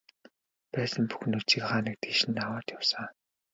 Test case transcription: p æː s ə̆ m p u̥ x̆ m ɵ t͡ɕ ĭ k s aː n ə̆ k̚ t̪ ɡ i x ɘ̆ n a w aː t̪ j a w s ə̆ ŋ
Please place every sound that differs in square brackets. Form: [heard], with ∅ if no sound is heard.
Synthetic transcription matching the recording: p æː s ə̆ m p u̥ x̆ [n] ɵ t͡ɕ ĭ k [χ] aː n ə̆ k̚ t̪ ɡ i [ʃ] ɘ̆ n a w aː t̪ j a w s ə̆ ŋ